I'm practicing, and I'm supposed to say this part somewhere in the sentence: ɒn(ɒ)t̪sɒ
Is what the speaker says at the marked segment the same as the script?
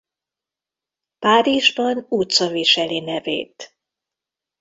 no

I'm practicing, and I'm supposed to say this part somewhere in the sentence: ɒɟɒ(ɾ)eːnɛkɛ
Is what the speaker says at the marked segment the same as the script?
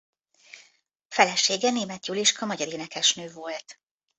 yes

